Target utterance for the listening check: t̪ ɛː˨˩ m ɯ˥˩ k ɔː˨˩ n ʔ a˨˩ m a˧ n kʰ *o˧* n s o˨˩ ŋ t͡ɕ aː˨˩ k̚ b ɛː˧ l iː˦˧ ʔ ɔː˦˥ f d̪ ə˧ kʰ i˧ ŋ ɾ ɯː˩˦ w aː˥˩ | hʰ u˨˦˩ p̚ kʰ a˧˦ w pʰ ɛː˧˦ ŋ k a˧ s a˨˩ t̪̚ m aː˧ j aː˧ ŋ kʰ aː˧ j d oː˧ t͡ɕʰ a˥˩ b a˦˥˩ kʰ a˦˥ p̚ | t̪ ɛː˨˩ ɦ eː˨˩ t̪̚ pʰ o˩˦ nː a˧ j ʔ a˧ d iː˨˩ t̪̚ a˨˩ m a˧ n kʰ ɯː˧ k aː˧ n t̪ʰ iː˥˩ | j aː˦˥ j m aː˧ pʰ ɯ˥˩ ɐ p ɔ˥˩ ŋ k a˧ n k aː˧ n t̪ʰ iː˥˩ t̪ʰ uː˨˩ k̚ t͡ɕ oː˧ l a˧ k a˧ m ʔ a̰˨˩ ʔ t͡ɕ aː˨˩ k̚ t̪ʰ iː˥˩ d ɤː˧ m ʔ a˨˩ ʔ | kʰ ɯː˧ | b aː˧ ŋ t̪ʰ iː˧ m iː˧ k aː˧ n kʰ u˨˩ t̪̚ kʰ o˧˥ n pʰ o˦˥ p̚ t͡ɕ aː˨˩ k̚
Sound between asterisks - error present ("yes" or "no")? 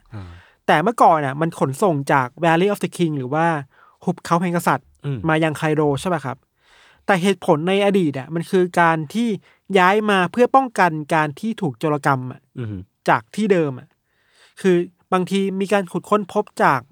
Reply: yes